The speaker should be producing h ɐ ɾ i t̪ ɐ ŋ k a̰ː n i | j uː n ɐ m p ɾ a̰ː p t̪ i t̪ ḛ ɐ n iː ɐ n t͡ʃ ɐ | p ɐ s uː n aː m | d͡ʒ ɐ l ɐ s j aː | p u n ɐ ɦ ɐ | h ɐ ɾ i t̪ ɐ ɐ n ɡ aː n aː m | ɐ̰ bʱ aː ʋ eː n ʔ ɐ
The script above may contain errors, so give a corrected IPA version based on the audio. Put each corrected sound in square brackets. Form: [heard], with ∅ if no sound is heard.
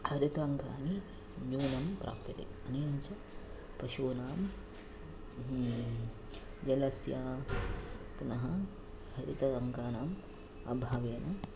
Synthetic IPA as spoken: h ɐ ɾ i t̪ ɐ ŋ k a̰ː n i | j uː n ɐ m p ɾ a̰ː p t̪ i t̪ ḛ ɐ n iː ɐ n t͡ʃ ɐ | p ɐ [ʃ] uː n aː m | d͡ʒ ɐ l ɐ s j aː | p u n ɐ ɦ ɐ | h ɐ ɾ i t̪ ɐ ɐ [ŋ] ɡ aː n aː m | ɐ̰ bʱ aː ʋ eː n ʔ ɐ